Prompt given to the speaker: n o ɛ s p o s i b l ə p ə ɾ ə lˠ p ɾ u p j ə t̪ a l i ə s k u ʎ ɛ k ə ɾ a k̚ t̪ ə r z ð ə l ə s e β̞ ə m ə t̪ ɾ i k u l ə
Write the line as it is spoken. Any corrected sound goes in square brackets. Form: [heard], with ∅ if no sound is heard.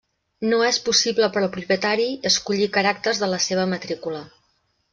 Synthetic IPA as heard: n o ɛ s p [u] s i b l ə p ə ɾ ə lˠ p ɾ u p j ə t̪ a [ɾ] i ə s k u ʎ [i] k ə ɾ a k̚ t̪ ə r z ð ə l ə s e β̞ ə m ə t̪ ɾ i k u l ə